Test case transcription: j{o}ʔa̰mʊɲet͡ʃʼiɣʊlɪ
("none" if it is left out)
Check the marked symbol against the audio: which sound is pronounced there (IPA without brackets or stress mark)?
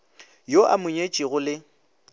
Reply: o